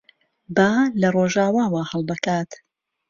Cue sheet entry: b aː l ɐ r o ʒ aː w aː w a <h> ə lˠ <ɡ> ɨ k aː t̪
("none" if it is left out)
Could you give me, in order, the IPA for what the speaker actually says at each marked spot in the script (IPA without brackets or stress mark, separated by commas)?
h, b